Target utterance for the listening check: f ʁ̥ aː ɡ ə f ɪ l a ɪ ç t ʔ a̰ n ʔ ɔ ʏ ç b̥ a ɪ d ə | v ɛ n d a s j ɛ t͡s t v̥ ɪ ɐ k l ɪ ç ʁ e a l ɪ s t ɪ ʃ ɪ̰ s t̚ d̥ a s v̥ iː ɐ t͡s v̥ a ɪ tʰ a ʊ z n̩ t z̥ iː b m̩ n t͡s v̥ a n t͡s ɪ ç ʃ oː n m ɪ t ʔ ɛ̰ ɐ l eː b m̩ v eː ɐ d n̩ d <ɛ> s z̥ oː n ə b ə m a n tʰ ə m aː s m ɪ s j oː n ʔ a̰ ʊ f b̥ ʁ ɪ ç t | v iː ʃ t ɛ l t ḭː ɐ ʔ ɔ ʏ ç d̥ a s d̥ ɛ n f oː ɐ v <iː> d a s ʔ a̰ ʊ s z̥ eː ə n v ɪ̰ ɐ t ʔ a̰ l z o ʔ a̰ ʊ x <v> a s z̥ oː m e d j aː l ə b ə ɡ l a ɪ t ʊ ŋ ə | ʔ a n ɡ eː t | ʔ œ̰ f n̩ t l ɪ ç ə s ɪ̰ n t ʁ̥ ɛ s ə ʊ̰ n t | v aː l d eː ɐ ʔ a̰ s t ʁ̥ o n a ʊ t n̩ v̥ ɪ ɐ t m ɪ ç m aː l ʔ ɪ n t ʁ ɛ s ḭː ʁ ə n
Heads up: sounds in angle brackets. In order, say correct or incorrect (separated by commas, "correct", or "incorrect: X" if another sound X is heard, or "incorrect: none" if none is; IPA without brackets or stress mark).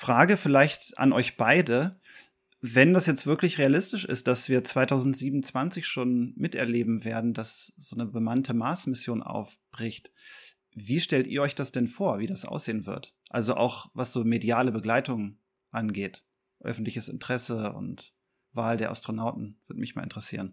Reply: incorrect: a, correct, correct